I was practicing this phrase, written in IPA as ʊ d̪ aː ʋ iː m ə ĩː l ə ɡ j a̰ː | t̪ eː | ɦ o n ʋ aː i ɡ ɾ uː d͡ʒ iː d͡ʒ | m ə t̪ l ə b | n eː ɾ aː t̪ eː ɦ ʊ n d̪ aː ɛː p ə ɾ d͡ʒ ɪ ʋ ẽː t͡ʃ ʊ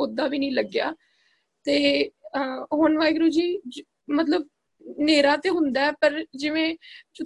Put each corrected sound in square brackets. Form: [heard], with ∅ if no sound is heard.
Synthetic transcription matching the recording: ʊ d̪ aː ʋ iː [n] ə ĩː l ə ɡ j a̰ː | t̪ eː | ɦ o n ʋ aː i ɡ ɾ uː d͡ʒ iː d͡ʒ | m ə t̪ l ə b | n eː ɾ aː t̪ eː ɦ ʊ n d̪ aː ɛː p ə ɾ d͡ʒ ɪ ʋ ẽː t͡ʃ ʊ